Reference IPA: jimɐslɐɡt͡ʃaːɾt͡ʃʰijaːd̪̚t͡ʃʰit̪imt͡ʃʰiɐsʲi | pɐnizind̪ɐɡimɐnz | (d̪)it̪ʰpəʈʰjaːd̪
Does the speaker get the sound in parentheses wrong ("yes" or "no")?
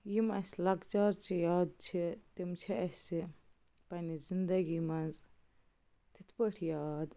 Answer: yes